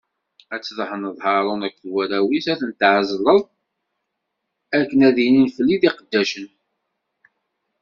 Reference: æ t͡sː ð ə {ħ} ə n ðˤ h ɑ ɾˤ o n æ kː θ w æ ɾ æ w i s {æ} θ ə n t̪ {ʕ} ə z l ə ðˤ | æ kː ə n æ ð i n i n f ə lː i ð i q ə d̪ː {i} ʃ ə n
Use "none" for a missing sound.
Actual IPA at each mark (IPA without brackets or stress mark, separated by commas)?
ħ, æ, ʕ, æ